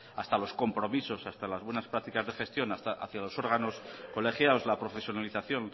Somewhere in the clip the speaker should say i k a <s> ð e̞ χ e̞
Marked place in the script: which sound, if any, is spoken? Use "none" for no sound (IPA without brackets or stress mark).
z